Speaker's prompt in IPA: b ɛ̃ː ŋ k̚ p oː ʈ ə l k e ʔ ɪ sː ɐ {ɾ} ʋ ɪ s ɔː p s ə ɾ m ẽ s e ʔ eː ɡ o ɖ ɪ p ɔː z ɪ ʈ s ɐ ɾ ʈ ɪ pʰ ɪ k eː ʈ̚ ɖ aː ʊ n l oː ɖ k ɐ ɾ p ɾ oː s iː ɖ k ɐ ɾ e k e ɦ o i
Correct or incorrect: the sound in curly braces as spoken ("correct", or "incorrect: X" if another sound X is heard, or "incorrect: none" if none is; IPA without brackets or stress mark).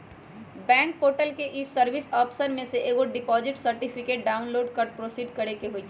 correct